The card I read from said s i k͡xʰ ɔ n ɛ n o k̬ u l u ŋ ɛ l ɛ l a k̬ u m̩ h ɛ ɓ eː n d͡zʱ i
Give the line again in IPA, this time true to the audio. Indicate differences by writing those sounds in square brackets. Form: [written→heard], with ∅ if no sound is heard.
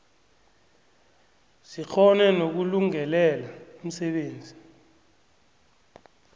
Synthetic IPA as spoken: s i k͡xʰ ɔ n ɛ n o k̬ u l u ŋ ɛ l ɛ l a [k̬→∅] u m̩ [h→s] ɛ ɓ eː n d͡zʱ i